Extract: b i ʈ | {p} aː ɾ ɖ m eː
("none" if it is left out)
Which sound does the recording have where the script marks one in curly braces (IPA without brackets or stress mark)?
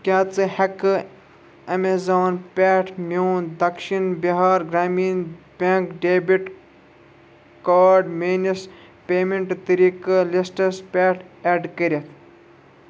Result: k